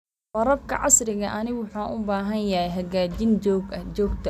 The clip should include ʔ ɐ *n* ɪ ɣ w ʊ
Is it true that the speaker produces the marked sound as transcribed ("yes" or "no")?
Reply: yes